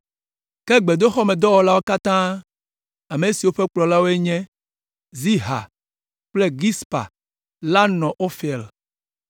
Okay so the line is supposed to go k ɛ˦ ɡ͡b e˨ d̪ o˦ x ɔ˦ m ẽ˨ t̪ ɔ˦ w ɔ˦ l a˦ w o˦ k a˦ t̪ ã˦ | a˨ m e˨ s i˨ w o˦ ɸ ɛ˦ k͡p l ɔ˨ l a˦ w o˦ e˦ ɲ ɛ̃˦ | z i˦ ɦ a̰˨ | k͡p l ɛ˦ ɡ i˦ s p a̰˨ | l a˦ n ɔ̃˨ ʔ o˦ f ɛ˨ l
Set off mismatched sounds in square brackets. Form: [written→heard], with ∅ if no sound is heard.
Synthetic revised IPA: k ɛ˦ ɡ͡b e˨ d̪ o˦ x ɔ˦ m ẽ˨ [t̪→d̪] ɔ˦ w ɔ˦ l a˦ w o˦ k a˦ t̪ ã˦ | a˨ m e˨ s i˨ w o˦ ɸ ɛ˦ k͡p l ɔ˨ l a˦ w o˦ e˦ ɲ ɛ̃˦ | z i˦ ɦ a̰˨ | k͡p l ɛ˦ ɡ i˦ s p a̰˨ | l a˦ n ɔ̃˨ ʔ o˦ f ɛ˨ l